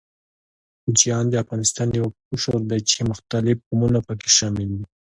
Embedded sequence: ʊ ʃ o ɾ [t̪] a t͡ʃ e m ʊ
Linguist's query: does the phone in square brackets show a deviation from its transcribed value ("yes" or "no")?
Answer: yes